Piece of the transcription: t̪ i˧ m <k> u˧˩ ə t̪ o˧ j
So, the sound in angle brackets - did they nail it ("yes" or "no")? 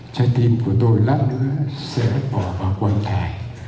yes